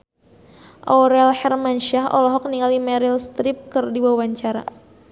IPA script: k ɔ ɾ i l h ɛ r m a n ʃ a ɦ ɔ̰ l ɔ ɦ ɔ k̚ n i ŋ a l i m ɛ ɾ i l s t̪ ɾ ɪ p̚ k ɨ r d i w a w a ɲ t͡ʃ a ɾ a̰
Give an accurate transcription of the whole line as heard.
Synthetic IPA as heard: ʔ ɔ ɾ ɛ l h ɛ r m a n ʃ a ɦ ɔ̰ l ɔ ɦ ɔ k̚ n i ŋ a l i m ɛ ɾ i l s t̪ ɾ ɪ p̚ k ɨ r d i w a w a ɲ t͡ʃ a ɾ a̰